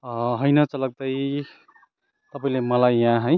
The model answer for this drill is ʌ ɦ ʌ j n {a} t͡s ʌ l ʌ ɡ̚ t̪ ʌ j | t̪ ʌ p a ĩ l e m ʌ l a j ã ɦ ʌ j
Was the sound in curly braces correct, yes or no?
no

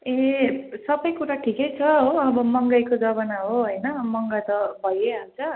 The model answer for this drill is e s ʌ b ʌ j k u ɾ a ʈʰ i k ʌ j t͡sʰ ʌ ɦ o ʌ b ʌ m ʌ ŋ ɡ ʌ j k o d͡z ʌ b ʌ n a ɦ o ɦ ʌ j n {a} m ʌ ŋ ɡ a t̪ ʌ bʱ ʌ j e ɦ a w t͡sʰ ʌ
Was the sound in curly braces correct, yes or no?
no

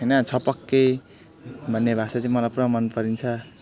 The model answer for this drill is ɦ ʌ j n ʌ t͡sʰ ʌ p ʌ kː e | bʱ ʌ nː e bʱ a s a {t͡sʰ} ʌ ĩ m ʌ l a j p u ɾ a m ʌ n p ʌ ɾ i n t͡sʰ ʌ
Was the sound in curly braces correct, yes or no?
no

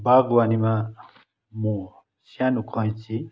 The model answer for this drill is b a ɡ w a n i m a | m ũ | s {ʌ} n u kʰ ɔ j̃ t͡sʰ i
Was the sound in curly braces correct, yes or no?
no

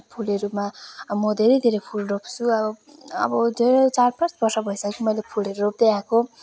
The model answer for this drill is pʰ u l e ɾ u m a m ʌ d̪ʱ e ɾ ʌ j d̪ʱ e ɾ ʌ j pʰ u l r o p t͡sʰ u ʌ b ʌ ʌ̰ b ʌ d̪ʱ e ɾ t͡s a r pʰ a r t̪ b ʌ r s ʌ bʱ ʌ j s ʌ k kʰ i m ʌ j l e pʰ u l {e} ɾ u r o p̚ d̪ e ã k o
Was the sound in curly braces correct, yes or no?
yes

